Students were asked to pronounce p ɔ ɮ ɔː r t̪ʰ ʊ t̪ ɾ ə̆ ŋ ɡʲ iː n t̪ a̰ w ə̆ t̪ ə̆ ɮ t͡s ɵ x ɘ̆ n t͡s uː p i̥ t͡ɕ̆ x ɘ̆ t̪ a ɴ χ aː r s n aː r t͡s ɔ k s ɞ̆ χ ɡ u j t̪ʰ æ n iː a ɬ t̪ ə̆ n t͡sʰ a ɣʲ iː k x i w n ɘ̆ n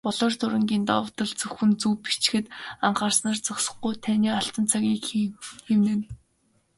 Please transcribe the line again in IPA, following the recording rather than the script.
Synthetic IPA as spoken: p ɔ ɮ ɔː r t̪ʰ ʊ ɾ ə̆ ŋ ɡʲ iː n t̪ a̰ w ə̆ t̪ ə̆ ɮ t͡s ɵ x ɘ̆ n t͡s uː p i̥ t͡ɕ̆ x ɘ̆ t̪ a ɴ χ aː r s n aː r t͡s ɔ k s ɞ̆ χ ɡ u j t̪ʰ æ n iː a ɬ t̪ ə̆ n t͡sʰ a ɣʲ iː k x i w n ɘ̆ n

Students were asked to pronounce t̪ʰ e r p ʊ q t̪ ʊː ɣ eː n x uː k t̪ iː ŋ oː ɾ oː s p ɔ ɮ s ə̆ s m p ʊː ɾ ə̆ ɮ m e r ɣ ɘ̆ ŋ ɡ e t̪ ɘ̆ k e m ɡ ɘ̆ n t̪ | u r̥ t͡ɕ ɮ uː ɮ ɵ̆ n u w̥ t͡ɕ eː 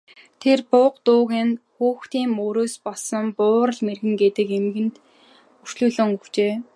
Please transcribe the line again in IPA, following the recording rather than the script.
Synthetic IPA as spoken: t̪ʰ e r p ʊ q t̪ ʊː ɣ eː n x uː x t̪ iː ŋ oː ɾ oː s p ɔ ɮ s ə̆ m p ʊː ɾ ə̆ ɮ m e r ɣ ɘ̆ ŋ ɡ e t̪ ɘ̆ k e m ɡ ɘ̆ n t̪ | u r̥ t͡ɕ ɮ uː ɮ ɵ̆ ŋ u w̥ t͡ɕ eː

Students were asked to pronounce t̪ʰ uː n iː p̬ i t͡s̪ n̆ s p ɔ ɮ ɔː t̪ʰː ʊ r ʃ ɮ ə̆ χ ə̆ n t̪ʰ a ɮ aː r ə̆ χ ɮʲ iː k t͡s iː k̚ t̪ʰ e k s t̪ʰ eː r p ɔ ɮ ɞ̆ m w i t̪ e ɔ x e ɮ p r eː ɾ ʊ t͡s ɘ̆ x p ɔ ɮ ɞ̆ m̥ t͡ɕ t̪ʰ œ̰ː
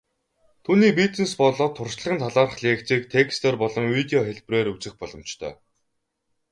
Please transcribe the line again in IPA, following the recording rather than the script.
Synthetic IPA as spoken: t̪ʰ uː n iː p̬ i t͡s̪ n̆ s p ɔ ɮ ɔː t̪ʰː ʊ r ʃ ɮ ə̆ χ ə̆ n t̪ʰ a ɮ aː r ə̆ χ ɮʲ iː k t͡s iː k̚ t̪ʰ e k s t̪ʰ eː r p ɔ ɮ ɞ̆ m w i t̪ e ɔ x e ɮ p r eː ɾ u t͡s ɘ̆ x p ɔ ɮ ɞ̆ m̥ t͡ɕ t̪ʰ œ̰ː

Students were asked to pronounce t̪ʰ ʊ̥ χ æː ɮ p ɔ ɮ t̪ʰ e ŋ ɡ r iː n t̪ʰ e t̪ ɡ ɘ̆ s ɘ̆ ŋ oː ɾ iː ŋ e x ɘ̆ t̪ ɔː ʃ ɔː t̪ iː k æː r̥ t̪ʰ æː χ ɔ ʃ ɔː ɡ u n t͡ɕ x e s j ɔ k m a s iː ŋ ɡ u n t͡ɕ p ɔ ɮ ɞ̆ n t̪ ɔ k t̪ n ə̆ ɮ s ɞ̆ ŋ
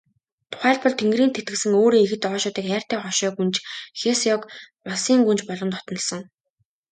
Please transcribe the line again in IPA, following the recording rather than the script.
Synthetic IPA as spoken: t̪ʰ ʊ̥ χ æː ɮ p ɔ ɮ t̪ʰ e ŋ ɡ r iː n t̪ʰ e t̪ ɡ ɘ̆ s ɘ̆ ŋ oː ɾ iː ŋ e x ɘ̆ t̪ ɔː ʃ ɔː t̪ iː k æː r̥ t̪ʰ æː χ ɔ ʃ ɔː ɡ u n t͡ɕ x e s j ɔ k m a s iː ŋ ɡ u n t͡ɕ p ɔ ɮ ɞ̆ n t̪ ɔ t̪ n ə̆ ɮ s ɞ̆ ŋ

